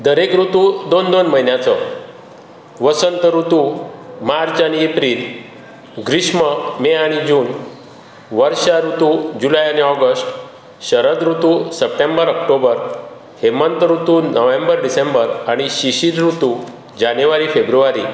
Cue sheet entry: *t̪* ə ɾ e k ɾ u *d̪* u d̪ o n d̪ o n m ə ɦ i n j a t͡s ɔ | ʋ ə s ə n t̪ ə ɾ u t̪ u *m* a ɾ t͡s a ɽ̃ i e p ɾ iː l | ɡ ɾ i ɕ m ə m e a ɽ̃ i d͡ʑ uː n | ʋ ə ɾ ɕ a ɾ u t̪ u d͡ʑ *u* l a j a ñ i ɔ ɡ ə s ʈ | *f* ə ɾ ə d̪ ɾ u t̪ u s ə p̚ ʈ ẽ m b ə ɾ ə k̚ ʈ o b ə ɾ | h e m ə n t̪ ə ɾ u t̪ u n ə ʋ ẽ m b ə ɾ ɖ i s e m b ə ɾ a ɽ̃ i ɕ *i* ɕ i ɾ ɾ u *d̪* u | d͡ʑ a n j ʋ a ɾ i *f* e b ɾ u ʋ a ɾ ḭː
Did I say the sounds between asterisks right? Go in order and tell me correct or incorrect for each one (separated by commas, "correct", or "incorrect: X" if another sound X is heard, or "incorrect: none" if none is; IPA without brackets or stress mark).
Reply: incorrect: d̪, incorrect: t̪, correct, correct, incorrect: ɕ, correct, incorrect: t̪, correct